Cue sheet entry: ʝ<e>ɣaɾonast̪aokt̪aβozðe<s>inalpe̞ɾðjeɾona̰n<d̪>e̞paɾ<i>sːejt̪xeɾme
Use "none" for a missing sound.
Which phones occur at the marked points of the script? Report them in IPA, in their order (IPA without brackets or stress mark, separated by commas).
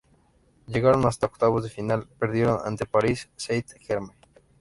e, f, t̪, i